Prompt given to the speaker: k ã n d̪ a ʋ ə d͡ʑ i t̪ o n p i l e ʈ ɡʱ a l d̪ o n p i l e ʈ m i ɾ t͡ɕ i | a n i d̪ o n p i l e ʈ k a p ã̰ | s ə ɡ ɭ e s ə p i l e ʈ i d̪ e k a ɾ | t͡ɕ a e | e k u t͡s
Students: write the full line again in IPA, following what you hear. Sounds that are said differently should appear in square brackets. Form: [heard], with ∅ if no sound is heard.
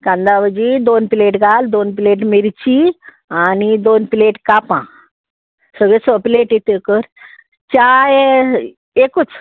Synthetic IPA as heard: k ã n d̪ a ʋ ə d͡ʑ i [d̪] o n p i l e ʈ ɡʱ a l d̪ o n p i l e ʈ m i ɾ t͡ɕ i | a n i d̪ o n p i l e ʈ k a p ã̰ | s ə ɡ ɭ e s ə p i l e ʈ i [t̪] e k [ə] ɾ | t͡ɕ a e | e k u t͡s